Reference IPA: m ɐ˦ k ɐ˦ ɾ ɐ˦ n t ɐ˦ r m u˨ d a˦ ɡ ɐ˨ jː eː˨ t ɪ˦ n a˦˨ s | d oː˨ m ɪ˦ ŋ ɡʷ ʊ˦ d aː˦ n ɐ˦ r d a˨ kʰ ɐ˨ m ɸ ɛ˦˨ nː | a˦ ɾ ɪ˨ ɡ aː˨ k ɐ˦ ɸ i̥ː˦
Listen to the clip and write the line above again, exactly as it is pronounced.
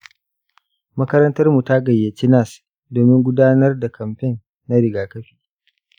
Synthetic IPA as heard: m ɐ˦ k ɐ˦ ɾ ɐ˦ n t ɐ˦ r m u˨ t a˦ ɡ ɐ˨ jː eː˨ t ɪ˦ n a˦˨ s | d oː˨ m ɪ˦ ŋ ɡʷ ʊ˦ d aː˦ n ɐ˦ r d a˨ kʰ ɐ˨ m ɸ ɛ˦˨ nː | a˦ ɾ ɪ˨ ɡ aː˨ k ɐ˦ ɸ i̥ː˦